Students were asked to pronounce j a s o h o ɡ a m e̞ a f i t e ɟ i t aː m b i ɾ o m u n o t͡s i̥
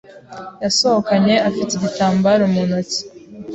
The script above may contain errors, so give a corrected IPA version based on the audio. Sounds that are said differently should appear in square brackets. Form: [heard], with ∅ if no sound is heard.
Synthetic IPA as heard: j a s o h o [k] a [ɲ] e̞ a f i t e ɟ i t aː m b [a] ɾ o m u n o t͡s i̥